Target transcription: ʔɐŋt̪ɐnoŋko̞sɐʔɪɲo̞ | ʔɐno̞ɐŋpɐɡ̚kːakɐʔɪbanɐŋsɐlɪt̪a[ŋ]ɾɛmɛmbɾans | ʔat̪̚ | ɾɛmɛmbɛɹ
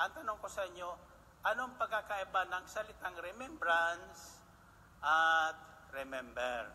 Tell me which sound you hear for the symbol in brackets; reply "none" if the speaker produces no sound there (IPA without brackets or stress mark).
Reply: ŋ